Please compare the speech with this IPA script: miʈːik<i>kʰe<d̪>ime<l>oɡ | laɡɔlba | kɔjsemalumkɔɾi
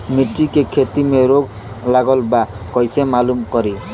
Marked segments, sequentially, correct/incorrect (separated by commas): incorrect, incorrect, incorrect